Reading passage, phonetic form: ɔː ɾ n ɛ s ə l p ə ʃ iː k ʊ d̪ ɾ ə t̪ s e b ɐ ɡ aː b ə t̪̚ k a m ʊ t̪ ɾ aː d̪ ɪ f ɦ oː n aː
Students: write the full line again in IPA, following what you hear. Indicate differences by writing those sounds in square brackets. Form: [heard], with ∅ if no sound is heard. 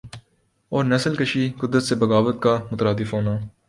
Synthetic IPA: ɔː ɾ n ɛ s ə l [k] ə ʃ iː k ʊ d̪ ɾ ə t̪ s e b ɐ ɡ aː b ə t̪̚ k a m ʊ t̪ ɾ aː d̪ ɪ f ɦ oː n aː